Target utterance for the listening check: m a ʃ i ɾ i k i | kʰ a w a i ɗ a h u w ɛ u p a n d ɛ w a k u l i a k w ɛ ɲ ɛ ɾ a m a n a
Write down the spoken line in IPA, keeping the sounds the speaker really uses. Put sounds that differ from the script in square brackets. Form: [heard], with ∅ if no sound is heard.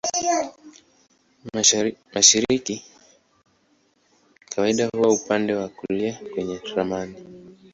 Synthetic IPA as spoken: m a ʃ i ɾ i k i | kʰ a w a i ɗ a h u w [a] u p a n d ɛ w a k u l i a k w ɛ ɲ ɛ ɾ a m a n [i]